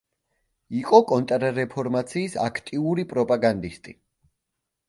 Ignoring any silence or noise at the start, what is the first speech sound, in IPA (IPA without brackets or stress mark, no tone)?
i